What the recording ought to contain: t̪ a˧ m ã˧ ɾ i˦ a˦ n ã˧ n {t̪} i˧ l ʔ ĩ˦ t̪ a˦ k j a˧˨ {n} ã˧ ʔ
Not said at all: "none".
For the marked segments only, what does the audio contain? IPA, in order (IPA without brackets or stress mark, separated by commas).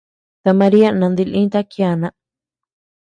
d̪, n